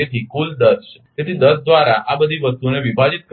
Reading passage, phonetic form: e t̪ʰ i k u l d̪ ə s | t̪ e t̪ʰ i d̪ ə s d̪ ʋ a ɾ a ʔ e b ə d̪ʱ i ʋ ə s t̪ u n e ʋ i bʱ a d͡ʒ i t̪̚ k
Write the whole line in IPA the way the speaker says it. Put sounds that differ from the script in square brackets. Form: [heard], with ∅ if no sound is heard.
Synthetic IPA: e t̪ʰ i k u l d̪ ə s | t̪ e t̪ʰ i d̪ ə s d̪ ʋ a ɾ a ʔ [a] b ə d̪ʱ i ʋ ə s t̪ u n e ʋ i bʱ a d͡ʒ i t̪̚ k